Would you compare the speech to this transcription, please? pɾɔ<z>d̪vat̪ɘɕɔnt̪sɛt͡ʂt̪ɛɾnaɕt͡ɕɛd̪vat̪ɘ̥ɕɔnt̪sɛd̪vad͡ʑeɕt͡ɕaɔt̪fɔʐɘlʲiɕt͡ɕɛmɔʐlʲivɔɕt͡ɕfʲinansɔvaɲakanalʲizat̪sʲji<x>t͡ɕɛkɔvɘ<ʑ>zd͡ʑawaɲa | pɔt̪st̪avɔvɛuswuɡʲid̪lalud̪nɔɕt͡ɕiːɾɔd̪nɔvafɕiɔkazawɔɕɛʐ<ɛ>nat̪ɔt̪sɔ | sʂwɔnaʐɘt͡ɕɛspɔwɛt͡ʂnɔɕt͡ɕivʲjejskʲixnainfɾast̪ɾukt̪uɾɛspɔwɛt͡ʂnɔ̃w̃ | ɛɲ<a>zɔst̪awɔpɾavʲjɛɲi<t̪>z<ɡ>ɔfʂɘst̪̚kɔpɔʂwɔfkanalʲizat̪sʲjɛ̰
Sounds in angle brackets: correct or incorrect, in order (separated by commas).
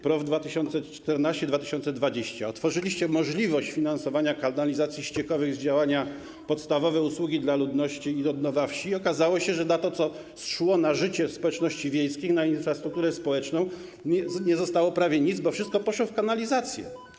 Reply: incorrect, incorrect, incorrect, correct, incorrect, incorrect, incorrect